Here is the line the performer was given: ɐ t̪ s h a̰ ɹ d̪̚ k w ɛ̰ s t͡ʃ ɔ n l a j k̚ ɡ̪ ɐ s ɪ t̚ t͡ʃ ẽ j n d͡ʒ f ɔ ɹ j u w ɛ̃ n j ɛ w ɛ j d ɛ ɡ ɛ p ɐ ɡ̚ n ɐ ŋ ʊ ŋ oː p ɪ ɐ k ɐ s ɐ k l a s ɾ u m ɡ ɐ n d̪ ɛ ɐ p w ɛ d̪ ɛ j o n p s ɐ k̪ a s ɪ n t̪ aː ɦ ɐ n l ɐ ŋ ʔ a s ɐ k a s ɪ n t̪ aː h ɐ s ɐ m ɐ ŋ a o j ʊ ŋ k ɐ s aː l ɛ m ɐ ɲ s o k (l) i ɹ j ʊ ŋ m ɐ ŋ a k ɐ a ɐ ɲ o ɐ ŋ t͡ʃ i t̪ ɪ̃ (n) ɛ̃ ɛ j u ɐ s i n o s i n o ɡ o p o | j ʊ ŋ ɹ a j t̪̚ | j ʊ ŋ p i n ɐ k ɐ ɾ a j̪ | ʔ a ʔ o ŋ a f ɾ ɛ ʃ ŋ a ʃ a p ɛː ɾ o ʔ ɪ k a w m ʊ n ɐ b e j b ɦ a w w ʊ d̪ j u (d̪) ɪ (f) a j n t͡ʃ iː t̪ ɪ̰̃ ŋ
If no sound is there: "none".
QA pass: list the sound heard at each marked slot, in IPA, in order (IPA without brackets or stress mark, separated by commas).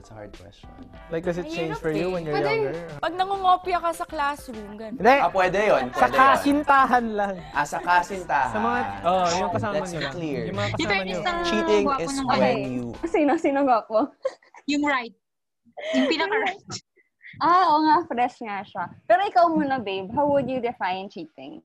l, ŋ, d̪, f